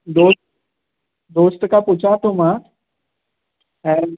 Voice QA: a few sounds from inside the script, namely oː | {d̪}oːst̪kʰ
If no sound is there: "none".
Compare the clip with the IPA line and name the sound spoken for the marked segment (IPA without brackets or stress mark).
d̪